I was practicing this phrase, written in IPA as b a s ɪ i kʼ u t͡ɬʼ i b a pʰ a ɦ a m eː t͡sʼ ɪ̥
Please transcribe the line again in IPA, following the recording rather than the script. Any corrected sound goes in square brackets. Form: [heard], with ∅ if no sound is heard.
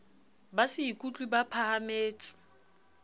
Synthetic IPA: b a s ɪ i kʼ u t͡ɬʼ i b a pʰ a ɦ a m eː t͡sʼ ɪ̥